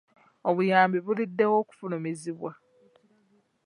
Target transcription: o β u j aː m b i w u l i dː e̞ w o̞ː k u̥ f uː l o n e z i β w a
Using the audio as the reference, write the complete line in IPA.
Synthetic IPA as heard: o β u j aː m b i β u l i dː e̞ w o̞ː k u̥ f u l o m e z i β w a